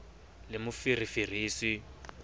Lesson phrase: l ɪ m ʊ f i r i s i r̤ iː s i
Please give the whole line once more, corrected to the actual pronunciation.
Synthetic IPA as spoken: l ɪ m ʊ f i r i f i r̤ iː s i